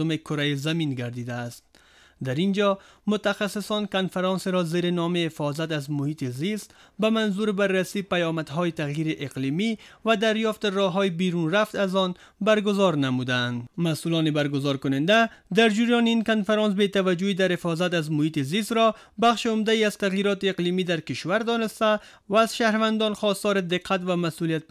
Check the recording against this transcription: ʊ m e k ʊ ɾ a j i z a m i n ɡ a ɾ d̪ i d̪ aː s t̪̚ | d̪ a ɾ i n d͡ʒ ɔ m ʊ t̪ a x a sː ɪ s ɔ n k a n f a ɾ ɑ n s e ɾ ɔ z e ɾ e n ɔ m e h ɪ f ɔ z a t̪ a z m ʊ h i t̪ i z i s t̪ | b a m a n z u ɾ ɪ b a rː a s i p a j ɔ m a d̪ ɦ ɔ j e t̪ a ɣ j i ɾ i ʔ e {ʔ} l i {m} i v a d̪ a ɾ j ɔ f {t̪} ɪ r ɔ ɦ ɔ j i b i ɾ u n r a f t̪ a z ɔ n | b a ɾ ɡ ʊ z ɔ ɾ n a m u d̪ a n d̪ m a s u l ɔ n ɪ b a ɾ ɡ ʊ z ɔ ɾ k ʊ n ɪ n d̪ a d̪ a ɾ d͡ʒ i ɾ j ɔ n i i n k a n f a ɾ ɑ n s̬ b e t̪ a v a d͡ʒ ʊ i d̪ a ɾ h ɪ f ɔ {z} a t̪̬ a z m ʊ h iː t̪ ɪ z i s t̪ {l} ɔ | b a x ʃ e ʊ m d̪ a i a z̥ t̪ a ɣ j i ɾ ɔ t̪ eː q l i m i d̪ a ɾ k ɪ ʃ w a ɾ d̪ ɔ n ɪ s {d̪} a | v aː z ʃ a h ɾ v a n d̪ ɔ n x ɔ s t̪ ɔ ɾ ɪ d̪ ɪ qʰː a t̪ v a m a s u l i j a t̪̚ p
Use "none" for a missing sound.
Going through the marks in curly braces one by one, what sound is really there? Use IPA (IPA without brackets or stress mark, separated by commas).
q, m, t̪, z, ɾ, t̪